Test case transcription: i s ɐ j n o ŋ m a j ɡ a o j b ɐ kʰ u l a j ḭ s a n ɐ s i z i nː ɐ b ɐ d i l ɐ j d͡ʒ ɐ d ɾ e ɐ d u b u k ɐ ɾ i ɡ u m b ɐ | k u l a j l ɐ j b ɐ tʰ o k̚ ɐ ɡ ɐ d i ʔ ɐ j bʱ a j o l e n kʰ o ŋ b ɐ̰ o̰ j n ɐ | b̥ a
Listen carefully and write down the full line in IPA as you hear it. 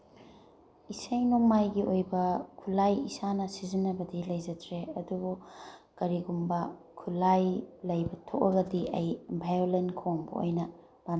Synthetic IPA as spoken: i s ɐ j n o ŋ m a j ɡ i o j b ɐ kʰ u l a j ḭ s a n ɐ s i z i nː ɐ b ɐ d i l ɐ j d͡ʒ ɐ d ɾ e ɐ d u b u k ɐ ɾ i ɡ u m b ɐ | kʰ u l a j l ɐ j b ɐ tʰ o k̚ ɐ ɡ ɐ d i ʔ ɐ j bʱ a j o l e n kʰ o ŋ b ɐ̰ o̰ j n ɐ | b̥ a